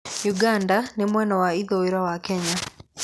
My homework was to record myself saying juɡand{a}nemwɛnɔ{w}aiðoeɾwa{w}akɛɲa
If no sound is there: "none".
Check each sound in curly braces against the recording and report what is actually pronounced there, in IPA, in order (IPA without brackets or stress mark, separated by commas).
a, w, w